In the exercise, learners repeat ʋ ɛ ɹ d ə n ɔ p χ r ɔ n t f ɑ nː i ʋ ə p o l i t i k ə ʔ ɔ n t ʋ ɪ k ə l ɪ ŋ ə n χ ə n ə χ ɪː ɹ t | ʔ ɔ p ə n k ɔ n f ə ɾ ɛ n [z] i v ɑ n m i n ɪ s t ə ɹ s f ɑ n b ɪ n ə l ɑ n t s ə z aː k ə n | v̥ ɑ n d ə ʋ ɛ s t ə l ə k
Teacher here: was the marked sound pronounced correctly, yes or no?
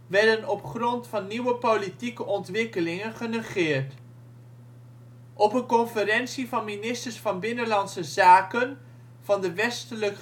no